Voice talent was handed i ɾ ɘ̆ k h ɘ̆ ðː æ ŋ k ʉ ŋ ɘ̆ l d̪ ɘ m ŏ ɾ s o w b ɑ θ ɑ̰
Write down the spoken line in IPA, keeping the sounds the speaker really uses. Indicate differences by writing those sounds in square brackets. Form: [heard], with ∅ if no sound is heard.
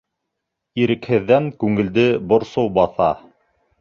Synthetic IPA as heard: i ɾ ɘ̆ k h ɘ̆ ðː æ ŋ k ʉ ŋ ɘ̆ l d̪ ɘ [b] ŏ ɾ s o w b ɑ θ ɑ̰